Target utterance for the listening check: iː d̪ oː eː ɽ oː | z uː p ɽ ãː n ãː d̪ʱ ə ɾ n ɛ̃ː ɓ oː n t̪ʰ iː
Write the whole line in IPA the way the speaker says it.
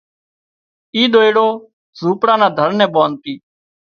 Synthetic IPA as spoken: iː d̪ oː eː ɽ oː | z uː p ɽ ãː n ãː d̪ʱ ə ɾ n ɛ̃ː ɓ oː n t̪ iː